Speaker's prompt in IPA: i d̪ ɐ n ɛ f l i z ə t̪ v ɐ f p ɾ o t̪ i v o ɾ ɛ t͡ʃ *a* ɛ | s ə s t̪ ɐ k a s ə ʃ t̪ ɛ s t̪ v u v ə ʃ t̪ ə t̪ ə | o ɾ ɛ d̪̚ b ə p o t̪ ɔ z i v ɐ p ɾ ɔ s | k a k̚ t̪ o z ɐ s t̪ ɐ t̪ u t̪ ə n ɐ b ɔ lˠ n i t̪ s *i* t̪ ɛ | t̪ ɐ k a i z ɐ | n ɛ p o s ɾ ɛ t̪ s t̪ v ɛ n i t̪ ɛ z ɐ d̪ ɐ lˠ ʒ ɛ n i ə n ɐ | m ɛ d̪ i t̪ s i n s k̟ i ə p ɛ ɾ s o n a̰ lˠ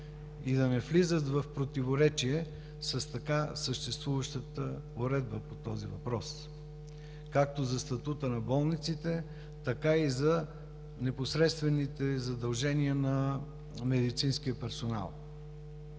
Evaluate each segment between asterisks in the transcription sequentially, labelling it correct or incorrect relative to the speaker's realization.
incorrect: i, correct

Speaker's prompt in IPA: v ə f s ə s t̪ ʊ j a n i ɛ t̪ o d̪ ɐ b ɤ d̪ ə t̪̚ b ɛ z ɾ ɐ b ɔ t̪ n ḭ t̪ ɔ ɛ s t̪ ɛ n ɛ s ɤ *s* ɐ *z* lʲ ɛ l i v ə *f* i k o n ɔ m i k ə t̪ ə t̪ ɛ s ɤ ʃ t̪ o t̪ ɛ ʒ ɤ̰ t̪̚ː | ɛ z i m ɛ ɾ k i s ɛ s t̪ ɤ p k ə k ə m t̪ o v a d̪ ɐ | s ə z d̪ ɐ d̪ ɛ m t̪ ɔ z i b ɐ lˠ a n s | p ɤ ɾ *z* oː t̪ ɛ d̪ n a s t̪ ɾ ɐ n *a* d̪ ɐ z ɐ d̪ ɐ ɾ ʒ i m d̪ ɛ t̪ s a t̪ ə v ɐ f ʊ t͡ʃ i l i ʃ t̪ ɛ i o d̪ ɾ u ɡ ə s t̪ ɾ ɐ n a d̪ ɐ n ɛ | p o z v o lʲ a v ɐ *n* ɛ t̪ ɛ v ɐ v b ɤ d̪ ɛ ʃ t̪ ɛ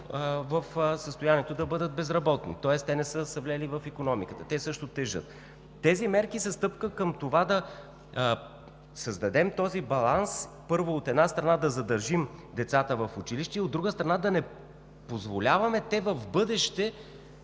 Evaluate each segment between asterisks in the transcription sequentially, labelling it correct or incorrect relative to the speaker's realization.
correct, incorrect: v, correct, incorrect: v, correct, incorrect: m

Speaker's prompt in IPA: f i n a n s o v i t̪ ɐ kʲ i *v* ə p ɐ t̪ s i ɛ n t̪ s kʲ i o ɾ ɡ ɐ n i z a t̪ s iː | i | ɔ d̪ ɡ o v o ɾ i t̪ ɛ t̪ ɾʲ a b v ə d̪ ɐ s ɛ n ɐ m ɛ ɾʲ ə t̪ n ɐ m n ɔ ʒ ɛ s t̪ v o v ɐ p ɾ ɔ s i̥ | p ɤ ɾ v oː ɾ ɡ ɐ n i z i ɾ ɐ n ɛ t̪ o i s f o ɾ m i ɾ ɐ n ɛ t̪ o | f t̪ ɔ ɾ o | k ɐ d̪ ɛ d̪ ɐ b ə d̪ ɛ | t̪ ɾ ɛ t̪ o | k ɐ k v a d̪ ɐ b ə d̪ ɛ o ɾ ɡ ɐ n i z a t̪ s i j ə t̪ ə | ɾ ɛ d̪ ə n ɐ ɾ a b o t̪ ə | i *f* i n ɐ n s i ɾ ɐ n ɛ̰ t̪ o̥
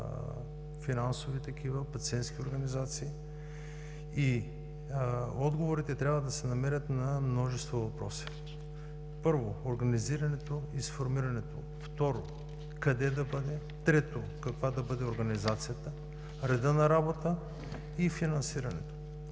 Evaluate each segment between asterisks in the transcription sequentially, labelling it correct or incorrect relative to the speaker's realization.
correct, correct

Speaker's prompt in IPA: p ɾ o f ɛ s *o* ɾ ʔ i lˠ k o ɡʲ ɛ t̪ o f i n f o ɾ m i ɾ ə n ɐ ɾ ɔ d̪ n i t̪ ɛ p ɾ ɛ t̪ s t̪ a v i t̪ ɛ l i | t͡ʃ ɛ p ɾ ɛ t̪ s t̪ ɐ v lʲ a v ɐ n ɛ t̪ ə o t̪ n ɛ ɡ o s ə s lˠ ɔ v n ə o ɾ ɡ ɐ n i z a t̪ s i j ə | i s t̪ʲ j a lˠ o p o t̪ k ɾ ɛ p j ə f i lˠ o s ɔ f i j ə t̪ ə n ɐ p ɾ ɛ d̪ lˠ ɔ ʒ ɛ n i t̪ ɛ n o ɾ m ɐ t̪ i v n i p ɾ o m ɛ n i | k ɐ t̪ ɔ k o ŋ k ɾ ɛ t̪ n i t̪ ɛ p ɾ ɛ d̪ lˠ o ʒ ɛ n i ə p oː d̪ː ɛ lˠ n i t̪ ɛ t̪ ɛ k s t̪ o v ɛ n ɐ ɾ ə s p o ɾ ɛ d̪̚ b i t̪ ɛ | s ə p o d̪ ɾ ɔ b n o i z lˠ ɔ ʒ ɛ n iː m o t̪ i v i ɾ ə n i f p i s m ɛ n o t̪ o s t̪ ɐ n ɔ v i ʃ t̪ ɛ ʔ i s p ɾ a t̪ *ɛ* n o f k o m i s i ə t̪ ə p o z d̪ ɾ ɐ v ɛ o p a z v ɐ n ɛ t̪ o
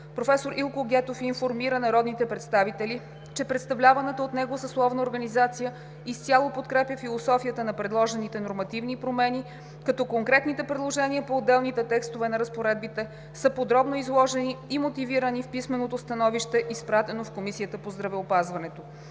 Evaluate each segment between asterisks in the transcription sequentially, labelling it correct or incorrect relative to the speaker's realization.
correct, correct

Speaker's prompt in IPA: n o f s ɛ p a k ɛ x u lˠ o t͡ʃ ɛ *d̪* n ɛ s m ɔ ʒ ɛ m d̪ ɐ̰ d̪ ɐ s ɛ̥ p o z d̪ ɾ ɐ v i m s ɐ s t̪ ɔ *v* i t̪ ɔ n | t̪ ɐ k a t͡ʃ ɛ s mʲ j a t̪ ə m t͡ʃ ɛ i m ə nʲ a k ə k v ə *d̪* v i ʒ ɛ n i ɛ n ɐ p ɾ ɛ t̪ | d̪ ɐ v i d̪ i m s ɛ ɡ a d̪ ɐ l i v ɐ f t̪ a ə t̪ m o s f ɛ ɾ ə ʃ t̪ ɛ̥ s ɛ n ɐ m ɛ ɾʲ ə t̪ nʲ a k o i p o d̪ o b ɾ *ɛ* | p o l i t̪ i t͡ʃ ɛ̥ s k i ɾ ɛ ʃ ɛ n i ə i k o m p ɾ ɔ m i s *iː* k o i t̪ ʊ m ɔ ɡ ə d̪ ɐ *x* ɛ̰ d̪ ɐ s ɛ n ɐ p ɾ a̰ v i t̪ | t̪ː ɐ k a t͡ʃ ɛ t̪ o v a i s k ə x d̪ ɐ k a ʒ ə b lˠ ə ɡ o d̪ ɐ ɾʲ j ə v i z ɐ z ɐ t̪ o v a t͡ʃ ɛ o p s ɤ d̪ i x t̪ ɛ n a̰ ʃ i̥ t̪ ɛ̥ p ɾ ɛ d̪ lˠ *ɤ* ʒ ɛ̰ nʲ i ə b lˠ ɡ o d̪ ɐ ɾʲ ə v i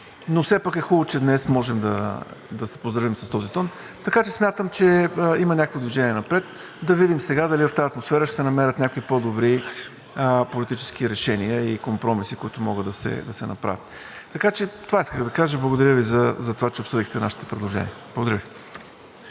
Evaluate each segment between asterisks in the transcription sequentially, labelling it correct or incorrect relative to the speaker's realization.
correct, incorrect: z, correct, incorrect: i, incorrect: i, incorrect: s, incorrect: o

